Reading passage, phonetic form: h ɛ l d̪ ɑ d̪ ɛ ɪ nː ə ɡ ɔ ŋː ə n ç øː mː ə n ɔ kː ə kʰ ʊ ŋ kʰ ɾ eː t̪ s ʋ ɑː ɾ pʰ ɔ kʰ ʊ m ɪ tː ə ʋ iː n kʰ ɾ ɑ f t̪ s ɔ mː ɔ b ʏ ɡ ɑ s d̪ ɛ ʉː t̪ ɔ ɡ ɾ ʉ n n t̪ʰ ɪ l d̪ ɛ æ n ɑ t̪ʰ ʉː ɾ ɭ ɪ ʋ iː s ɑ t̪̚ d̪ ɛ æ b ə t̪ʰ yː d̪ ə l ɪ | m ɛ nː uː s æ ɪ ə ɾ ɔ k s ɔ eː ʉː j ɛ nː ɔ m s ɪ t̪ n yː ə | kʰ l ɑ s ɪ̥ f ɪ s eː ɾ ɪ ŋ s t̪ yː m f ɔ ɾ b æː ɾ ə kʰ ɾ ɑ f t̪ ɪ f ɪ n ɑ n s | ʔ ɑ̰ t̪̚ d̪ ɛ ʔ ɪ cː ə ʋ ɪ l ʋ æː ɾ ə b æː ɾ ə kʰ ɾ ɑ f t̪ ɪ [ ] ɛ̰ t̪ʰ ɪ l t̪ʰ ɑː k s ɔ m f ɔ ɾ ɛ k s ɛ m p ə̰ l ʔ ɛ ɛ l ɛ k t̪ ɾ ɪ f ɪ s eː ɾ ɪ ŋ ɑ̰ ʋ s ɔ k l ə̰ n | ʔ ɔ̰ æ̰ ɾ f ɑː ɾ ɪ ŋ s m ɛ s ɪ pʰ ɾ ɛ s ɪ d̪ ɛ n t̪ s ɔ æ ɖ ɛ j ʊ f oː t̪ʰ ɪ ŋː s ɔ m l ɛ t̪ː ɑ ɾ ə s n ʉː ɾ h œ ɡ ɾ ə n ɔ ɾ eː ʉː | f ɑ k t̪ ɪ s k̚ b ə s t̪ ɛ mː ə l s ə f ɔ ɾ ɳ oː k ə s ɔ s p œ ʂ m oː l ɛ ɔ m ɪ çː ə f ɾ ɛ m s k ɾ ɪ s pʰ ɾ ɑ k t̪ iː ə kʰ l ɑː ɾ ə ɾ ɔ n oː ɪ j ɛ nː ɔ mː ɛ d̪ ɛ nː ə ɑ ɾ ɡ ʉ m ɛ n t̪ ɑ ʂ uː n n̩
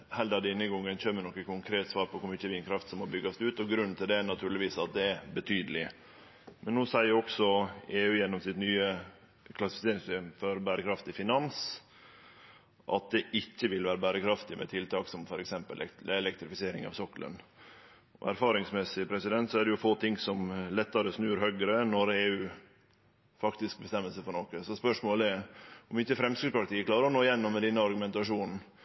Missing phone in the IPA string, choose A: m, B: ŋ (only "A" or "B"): A